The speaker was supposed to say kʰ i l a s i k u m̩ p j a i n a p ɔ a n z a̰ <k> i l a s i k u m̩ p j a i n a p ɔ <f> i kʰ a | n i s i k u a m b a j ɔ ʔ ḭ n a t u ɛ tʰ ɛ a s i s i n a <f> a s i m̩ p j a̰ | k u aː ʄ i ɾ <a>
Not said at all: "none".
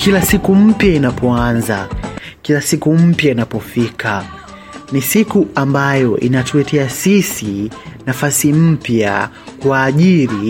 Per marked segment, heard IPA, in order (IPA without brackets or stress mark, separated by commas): k, f, f, i